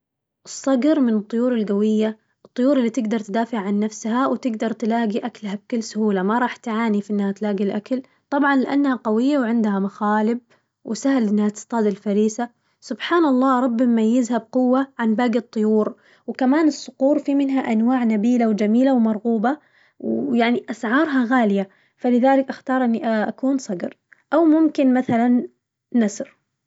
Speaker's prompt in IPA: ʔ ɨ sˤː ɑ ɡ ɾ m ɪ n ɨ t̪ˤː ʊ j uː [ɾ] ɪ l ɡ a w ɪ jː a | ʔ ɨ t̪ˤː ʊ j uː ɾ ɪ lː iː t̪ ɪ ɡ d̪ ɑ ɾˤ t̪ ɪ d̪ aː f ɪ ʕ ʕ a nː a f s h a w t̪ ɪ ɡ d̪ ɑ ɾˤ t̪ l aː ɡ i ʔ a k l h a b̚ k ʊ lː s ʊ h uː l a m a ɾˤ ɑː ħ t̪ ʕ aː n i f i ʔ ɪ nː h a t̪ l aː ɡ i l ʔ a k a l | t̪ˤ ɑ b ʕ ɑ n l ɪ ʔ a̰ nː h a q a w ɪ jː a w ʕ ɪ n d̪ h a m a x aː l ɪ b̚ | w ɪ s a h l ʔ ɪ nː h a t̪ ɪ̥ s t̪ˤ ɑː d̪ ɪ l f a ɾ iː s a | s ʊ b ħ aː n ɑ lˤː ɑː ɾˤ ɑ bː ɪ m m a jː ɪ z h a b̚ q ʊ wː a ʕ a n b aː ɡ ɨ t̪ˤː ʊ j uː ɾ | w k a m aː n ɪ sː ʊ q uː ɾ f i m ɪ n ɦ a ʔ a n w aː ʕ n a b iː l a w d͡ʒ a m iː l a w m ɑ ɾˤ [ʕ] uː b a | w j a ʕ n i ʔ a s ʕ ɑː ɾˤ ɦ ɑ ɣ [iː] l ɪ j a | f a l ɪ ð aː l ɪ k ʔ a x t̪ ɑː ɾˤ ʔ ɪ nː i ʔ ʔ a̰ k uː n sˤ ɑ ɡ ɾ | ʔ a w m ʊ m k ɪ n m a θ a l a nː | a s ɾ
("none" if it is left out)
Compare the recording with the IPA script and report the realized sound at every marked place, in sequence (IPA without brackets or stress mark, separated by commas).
ɾ, ɣ, aː